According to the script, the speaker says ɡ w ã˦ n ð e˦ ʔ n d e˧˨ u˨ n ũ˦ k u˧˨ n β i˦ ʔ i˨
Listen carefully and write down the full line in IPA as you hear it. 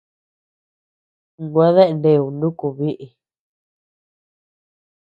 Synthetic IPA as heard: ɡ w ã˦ ð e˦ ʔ n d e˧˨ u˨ n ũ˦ k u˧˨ β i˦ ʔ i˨

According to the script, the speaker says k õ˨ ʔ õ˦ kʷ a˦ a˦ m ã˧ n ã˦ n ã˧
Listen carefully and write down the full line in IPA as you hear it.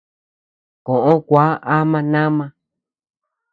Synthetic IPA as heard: k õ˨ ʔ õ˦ kʷ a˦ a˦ m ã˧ n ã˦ m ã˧

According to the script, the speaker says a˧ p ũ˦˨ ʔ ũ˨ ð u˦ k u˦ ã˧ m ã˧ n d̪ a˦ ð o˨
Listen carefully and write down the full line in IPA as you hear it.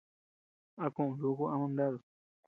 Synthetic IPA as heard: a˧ k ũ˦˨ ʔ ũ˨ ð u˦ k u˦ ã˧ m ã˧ n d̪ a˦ ð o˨

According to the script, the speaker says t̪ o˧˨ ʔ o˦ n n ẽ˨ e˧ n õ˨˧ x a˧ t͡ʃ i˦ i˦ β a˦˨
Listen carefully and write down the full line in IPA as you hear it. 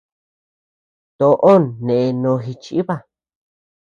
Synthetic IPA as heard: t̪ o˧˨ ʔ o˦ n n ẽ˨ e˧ n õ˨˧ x i˧ t͡ʃ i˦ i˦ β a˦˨

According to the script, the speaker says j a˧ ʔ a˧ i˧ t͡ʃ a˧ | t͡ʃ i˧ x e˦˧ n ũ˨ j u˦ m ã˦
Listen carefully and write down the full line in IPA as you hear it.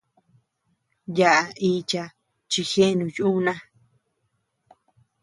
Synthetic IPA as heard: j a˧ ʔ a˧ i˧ t͡ʃ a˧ | t͡ʃ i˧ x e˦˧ n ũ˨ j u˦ n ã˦

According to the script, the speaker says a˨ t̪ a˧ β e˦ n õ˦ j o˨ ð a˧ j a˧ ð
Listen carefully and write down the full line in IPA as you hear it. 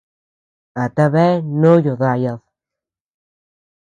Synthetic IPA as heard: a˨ t̪ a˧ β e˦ n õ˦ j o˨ ð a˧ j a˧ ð

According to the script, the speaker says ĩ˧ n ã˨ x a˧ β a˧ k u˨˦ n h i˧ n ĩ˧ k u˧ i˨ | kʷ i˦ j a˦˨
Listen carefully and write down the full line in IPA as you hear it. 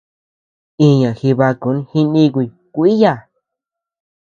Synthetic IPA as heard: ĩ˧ ɲ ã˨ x i˧ β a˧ k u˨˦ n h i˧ n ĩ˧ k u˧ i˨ | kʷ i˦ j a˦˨

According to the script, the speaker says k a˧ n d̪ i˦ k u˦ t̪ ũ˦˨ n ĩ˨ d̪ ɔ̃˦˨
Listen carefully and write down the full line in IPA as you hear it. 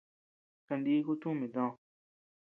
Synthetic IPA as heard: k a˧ n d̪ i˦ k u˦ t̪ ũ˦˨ m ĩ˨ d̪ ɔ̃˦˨

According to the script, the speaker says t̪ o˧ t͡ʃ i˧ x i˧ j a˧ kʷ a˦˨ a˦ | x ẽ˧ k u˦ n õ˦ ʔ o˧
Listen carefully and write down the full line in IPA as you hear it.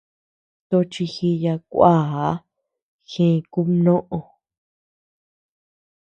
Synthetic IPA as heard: t̪ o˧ t͡ʃ i˧ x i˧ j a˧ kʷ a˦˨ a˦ | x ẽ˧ k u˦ n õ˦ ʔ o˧

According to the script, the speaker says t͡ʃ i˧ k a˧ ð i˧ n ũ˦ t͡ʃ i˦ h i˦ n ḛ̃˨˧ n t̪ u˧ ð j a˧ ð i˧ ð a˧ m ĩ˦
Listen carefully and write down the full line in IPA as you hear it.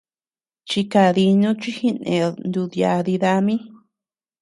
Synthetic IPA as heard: t͡ʃ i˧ k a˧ ð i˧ n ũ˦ t͡ʃ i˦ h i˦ n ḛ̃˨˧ n d̪ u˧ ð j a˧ ð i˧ ð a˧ m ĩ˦

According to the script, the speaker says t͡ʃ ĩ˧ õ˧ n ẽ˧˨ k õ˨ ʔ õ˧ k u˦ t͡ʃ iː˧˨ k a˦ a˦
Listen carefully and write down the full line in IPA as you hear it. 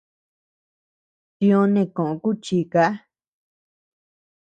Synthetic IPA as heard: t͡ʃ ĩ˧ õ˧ n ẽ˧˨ k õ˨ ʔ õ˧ k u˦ t͡ʃ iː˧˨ k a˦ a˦

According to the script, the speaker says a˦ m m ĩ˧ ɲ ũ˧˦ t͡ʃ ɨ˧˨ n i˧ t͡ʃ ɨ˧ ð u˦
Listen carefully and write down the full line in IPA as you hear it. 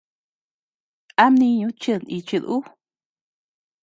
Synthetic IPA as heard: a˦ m n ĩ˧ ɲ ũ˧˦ t͡ʃ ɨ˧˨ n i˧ t͡ʃ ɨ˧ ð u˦

